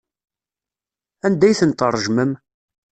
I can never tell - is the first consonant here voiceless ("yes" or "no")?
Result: no